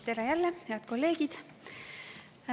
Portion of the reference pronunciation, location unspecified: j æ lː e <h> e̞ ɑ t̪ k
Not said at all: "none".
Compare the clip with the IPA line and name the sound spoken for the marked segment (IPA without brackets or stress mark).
h